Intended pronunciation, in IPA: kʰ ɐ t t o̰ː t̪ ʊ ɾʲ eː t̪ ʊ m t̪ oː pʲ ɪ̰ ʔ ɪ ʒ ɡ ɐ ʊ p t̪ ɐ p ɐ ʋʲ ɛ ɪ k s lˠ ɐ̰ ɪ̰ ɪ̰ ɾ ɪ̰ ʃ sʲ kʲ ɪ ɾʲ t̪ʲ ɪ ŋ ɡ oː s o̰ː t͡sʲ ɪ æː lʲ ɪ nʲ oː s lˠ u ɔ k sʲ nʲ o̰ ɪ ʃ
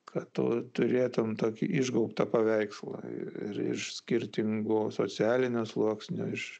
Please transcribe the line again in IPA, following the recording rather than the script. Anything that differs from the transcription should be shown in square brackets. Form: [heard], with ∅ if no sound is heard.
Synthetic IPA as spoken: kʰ ɐ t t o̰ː t̪ ʊ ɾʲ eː t̪ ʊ m t̪ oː [kʲ] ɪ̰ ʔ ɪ ʒ ɡ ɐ ʊ p t̪ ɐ p ɐ ʋʲ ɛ ɪ k s lˠ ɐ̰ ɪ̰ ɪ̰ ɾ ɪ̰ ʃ sʲ kʲ ɪ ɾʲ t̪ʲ ɪ ŋ ɡ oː s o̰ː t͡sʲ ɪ æː lʲ ɪ nʲ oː s lˠ u ɔ k sʲ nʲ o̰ ɪ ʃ